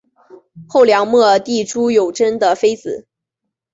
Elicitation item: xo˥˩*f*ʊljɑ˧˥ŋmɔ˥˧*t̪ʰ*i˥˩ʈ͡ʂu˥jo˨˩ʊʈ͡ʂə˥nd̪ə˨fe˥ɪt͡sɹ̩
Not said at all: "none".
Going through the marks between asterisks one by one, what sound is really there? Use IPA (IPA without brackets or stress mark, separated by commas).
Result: none, t̪